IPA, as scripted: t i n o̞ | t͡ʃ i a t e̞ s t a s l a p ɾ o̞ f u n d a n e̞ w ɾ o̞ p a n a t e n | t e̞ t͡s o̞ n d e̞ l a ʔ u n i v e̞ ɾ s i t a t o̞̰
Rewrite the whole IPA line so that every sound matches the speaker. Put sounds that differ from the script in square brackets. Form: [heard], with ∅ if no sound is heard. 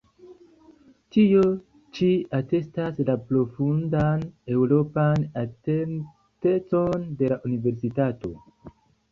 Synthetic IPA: t i [∅] o̞ | t͡ʃ i a t e̞ s t a s l a p ɾ o̞ f u n d a n e̞ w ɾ o̞ p a n a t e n | t e̞ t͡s o̞ n d e̞ l a ʔ u n i v e̞ ɾ s i t a t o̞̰

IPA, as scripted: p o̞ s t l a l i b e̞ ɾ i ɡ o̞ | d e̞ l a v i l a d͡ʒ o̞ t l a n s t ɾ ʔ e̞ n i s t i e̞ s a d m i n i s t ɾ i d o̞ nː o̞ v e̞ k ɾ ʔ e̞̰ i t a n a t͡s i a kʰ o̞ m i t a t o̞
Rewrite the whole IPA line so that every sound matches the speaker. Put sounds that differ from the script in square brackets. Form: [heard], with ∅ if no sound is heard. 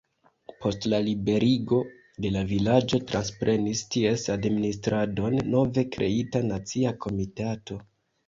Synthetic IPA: p o̞ s t l a l i b e̞ ɾ i ɡ o̞ | d e̞ l a v i l a d͡ʒ o̞ t [ɾ] a n s [p] ɾ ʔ e̞ n i s t i e̞ s a d m i n i s t ɾ [a] d o̞ nː o̞ v e̞ k ɾ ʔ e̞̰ i t a n a t͡s i a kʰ o̞ m i t a t o̞

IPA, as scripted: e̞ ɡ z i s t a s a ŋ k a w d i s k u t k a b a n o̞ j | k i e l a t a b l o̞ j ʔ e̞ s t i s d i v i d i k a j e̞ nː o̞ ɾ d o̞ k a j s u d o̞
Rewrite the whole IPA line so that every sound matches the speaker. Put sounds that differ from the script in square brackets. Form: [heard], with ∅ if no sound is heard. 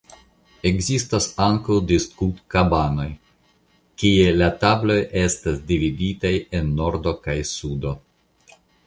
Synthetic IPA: e̞ ɡ z i s t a s a ŋ k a w d i s k u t k a b a n o̞ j | k i e l a t a b l o̞ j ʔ e̞ s t [a] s d i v i d i [t] a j e̞ nː o̞ ɾ d o̞ k a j s u d o̞

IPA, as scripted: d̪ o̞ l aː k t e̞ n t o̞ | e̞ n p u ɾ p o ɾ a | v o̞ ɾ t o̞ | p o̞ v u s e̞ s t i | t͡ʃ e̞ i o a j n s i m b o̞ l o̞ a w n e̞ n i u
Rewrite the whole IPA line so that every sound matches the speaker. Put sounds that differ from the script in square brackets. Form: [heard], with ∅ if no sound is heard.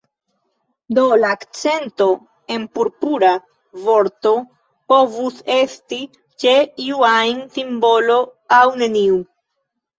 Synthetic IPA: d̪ o̞ l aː k [t͡s] e̞ n t o̞ | e̞ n p u ɾ p [u] ɾ a | v o̞ ɾ t o̞ | p o̞ v u s e̞ s t i | t͡ʃ e̞ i [u] a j n s i m b o̞ l o̞ a w n e̞ n i u

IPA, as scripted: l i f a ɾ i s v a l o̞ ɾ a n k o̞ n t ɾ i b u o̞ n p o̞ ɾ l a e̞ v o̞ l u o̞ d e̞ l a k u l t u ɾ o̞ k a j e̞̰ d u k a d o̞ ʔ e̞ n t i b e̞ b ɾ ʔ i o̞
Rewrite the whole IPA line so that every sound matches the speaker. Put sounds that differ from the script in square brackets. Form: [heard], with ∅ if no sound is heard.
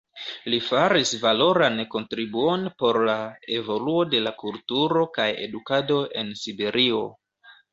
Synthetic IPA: l i f a ɾ i s v a l o̞ ɾ a n k o̞ n t ɾ i b u o̞ n p o̞ ɾ l a e̞ v o̞ l u o̞ d e̞ l a k u l t u ɾ o̞ k a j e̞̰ d u k a d o̞ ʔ e̞ n [s] i b e̞ [∅] ɾ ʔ i o̞

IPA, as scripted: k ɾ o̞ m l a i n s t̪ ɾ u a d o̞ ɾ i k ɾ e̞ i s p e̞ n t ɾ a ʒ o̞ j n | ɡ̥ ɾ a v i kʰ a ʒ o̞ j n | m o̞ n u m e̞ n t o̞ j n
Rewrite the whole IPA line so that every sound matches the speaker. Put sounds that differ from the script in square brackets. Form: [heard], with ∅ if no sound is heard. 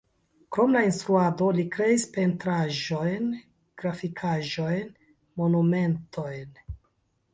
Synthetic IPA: k ɾ o̞ m l a i n s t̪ ɾ u a d o̞ [l] i k ɾ e̞ i s p e̞ n t ɾ a ʒ o̞ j n | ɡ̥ ɾ a [f] i kʰ a ʒ o̞ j n | m o̞ n u m e̞ n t o̞ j n

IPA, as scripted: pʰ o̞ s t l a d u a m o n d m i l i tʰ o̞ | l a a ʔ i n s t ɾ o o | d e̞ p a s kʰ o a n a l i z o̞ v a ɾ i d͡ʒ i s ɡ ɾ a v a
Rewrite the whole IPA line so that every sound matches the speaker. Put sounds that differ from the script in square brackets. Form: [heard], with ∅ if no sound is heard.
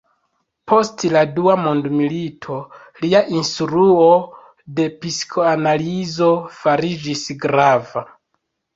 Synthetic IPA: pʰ o̞ s t l a d u a m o n d m i l i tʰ o̞ | l [i] a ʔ i n s t ɾ [u] o | d e̞ p [i] s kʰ o a n a l i z o̞ [f] a ɾ i d͡ʒ i s ɡ ɾ a v a

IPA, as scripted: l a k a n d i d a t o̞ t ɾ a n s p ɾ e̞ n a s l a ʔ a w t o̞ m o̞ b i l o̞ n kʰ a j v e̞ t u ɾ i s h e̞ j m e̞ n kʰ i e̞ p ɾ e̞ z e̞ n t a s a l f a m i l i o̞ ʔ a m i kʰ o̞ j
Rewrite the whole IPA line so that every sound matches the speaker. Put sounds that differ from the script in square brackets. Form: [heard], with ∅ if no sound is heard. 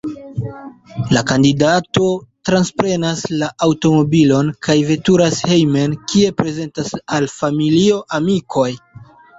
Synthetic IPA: l a k a n d i d a t o̞ t ɾ a n s p ɾ e̞ n a s l a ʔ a w t o̞ m o̞ b i l o̞ n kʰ a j v e̞ t u ɾ [a] s h e̞ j m e̞ n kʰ i e̞ p ɾ e̞ z e̞ n t a s a l f a m i l i o̞ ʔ a m i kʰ o̞ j

